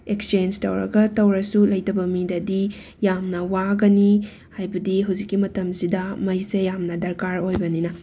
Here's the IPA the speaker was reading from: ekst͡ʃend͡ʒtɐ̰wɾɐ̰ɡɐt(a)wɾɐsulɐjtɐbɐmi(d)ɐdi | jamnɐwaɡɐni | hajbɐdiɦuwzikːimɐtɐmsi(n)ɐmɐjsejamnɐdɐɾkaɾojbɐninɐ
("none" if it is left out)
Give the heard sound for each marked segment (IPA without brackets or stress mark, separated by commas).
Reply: ɐ, d, d